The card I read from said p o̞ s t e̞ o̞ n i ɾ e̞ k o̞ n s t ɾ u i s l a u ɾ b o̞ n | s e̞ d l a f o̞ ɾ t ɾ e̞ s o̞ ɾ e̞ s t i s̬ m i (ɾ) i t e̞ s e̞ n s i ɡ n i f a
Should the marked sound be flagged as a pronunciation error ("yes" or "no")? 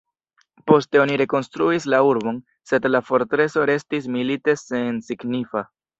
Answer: yes